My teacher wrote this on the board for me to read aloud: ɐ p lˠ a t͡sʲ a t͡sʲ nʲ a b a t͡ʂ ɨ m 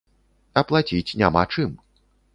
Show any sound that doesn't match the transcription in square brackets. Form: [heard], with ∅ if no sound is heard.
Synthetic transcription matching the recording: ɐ p lˠ a t͡sʲ [i] t͡sʲ nʲ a [m] a t͡ʂ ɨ m